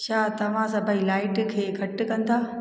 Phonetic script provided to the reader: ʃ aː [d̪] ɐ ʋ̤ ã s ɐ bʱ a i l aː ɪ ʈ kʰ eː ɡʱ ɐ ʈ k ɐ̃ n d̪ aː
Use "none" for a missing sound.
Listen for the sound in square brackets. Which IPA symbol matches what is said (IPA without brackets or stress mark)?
t̪